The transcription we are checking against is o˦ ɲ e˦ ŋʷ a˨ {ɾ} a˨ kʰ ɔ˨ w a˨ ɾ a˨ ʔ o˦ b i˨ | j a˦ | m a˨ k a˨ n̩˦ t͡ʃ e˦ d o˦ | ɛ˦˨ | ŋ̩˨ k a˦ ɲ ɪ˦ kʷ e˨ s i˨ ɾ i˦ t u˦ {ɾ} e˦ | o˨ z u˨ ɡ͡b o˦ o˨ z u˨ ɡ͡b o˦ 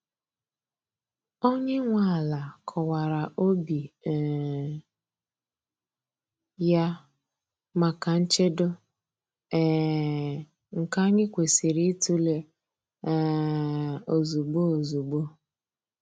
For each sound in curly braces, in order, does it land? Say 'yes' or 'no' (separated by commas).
no, no